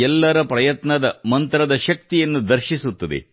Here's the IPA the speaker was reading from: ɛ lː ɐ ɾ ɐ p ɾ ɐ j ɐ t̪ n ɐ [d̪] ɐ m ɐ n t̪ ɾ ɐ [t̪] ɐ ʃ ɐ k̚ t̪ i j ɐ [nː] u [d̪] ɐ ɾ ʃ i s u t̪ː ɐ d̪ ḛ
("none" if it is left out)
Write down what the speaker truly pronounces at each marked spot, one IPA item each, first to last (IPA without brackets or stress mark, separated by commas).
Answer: d̪, d̪, nː, d̪